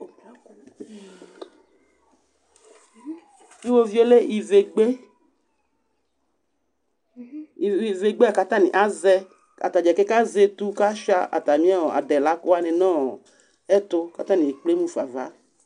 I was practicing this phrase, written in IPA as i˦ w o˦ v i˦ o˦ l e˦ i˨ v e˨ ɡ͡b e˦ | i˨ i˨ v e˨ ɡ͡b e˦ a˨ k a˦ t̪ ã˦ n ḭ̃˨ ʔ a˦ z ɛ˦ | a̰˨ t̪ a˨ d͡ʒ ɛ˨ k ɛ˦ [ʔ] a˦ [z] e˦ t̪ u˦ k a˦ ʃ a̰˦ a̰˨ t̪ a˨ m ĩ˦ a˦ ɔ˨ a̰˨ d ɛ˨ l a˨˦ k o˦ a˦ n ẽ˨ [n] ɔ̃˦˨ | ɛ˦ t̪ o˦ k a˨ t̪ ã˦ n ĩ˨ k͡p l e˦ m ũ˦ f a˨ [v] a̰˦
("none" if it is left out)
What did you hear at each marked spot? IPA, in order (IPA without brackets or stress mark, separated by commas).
k, z, n, v